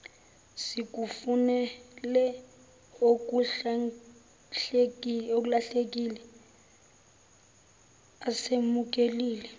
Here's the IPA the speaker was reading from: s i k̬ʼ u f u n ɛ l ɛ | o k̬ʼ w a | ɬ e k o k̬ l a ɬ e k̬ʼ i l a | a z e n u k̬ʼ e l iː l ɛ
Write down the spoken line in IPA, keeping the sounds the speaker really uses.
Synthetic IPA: s i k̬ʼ u f u n ɛ l ɛ | o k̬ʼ u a | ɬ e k o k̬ l a ɬ e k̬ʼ i l ɛ | a s e m u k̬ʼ e l iː l ɛ